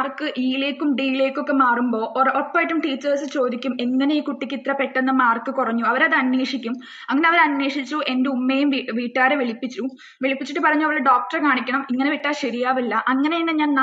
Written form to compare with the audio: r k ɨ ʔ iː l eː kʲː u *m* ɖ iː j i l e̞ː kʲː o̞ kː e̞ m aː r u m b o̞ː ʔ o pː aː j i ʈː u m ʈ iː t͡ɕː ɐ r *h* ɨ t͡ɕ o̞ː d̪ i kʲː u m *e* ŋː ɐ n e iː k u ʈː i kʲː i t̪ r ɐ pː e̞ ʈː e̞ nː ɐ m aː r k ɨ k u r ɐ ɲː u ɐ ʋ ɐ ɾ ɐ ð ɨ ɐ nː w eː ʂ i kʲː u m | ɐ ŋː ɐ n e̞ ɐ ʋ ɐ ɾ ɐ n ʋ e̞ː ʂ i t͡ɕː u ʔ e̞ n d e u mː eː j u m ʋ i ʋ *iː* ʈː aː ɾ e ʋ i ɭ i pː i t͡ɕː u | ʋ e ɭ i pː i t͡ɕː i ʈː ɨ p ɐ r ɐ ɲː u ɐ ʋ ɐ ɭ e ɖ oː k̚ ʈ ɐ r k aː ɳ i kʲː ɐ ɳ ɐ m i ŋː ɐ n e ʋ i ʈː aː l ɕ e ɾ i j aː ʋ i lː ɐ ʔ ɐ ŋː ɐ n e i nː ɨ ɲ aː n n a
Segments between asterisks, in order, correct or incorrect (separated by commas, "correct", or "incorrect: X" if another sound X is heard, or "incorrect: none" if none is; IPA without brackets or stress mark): correct, incorrect: s, correct, correct